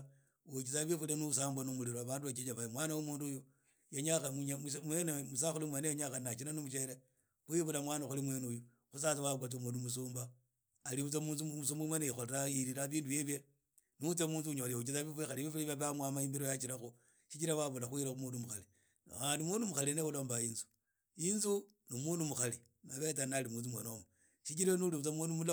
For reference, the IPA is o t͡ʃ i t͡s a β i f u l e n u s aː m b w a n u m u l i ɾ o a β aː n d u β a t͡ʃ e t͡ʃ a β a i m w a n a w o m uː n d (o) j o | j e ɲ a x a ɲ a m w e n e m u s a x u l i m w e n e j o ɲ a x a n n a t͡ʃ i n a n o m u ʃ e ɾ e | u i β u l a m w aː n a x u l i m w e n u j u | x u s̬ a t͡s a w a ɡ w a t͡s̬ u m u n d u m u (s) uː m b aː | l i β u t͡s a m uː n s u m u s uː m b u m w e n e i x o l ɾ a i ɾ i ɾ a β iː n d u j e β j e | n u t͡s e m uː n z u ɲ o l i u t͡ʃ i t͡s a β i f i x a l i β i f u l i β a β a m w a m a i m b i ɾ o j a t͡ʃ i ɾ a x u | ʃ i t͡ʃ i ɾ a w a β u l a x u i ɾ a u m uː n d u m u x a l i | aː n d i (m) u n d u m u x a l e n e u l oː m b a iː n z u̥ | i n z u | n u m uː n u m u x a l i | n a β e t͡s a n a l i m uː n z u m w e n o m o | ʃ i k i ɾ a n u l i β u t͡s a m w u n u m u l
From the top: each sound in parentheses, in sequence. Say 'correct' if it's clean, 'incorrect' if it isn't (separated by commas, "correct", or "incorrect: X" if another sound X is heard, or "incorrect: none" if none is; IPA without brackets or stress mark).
incorrect: u, correct, correct